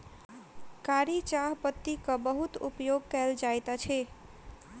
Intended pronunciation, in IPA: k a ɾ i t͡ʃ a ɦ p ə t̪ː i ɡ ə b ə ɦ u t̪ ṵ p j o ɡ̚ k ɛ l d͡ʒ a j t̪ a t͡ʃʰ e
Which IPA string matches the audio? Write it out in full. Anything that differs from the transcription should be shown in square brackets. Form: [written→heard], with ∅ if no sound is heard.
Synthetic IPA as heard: k a ɾ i t͡ʃ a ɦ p ə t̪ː i [ɡ→k] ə b ə ɦ u t̪ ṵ p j o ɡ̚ k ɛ l d͡ʒ a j t̪ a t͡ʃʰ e